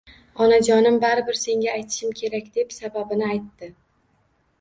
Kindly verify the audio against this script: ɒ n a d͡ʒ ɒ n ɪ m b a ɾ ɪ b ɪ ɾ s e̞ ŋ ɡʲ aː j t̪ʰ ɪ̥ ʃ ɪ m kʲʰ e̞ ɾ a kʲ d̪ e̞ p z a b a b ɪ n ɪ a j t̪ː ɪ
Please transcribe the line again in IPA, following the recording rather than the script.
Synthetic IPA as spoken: ɒ n a d͡ʒ ɒ n ɪ m b a ɾ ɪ b ɪ ɾ s e̞ ŋ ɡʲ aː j t̪ʰ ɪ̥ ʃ ɪ m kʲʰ e̞ ɾ a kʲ d̪ e̞ p s a b a b ɪ n ɪ a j t̪ː ɪ